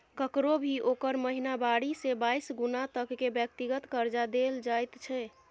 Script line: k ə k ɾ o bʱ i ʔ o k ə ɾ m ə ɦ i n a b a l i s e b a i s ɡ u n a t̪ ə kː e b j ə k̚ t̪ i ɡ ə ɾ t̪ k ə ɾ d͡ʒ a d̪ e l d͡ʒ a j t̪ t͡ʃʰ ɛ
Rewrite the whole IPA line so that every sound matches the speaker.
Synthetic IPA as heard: k ə k ɾ o bʱ i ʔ o k ə ɾ m ə ɦ i n a b a ɽ i s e b a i s ɡ u n a t̪ ə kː e b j ə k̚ t̪ i ɡ ə t̪ k ə ɾ d͡ʒ a d̪ e l d͡ʒ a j t̪ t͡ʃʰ ɛ